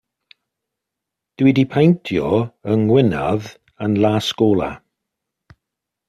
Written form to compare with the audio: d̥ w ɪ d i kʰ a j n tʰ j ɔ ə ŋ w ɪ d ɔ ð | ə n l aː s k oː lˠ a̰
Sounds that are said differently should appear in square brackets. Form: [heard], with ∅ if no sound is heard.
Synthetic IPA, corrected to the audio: d̥ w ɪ d i [pʰ] a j n tʰ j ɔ ə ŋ w ɪ [n] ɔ ð | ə n l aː s k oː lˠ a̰